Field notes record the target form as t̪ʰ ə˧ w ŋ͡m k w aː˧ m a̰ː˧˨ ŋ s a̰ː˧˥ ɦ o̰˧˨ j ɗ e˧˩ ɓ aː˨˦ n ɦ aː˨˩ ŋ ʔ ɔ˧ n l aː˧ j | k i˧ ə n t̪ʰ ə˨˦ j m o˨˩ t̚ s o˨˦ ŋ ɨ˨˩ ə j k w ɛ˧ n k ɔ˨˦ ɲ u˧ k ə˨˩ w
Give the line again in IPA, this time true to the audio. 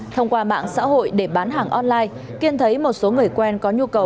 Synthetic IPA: t̪ʰ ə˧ w ŋ͡m k w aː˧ m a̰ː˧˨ ŋ s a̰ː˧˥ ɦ o̰˧˨ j ɗ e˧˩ ɓ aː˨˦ n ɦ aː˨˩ ŋ ʔ ɔ˧ n l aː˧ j | k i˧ ə n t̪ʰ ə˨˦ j m o˨˩ t̚ s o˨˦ ŋ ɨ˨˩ ə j k w ɛ˧ n k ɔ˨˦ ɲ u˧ k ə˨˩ w